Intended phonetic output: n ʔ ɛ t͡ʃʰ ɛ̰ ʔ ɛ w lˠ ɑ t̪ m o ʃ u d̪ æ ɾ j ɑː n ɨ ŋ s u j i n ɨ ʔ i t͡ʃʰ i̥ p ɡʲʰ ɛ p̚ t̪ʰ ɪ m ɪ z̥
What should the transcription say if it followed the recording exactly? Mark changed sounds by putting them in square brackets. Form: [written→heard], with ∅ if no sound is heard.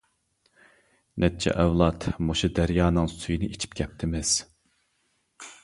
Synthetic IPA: n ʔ ɛ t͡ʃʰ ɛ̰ ʔ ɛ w lˠ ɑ t̪ m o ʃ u d̪ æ ɾ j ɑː n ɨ ŋ s u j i n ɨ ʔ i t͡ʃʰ i̥ p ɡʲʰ ɛ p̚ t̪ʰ ɪ m ɪ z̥